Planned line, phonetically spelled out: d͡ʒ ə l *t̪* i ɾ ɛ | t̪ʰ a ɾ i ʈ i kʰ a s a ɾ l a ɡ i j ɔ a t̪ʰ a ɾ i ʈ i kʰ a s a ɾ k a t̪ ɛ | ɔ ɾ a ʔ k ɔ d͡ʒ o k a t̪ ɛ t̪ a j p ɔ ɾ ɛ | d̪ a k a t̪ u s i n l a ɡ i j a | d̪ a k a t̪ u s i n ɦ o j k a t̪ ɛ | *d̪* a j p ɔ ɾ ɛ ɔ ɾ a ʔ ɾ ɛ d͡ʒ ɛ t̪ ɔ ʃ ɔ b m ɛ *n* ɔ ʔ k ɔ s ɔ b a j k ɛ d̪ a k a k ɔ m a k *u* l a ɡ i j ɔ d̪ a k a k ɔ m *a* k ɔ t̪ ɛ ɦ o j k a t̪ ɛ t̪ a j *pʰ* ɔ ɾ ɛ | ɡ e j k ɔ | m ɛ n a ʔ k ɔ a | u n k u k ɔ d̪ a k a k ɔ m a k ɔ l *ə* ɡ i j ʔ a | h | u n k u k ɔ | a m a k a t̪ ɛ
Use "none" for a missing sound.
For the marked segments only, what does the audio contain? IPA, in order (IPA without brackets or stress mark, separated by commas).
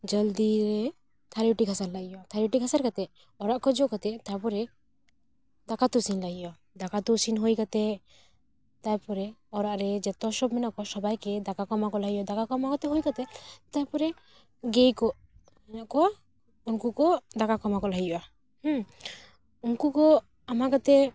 d̪, t̪, n, ɔ, a, p, a